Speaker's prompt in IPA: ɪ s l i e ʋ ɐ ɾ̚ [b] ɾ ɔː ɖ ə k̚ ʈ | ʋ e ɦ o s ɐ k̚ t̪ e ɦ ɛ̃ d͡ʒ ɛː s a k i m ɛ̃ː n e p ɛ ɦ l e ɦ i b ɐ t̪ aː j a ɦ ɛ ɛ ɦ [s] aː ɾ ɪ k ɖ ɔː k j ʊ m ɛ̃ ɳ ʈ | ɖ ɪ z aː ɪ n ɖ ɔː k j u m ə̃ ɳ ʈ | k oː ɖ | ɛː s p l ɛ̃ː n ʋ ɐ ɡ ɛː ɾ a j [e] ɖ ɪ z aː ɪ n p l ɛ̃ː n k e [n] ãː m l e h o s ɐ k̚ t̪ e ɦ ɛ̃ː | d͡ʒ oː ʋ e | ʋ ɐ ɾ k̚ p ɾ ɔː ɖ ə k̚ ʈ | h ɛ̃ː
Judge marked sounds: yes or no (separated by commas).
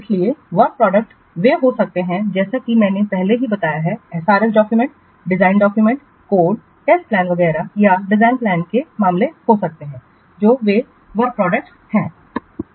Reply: no, yes, no, no